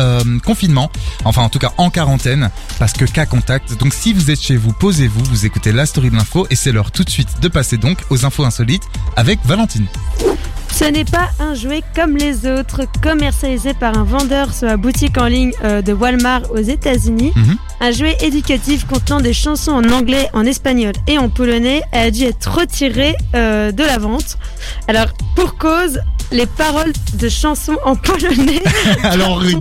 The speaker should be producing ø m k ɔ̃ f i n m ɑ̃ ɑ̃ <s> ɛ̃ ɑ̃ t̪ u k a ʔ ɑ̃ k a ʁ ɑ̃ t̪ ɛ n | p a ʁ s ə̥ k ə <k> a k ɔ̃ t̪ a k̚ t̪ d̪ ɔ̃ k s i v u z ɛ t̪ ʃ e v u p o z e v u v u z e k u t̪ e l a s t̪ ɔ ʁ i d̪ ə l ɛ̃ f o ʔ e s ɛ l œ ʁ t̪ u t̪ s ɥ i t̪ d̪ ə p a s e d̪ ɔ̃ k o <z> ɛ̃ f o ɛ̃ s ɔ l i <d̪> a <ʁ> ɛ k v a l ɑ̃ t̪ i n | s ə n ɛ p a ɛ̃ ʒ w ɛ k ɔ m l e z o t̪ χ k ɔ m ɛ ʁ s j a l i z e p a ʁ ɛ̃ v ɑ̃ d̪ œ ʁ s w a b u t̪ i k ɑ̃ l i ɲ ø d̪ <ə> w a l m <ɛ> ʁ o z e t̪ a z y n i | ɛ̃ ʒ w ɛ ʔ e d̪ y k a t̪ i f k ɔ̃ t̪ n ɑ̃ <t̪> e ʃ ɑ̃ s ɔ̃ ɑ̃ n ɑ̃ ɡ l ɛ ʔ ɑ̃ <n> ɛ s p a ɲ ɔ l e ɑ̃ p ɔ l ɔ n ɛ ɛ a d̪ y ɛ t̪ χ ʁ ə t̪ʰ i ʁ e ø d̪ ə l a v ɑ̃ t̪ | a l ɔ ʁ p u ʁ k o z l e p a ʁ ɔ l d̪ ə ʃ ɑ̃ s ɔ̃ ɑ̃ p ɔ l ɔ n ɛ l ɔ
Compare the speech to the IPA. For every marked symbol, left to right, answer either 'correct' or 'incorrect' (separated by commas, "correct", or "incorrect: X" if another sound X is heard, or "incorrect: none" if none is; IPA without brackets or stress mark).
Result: incorrect: f, correct, correct, incorrect: t̪, incorrect: v, correct, incorrect: a, incorrect: d̪, correct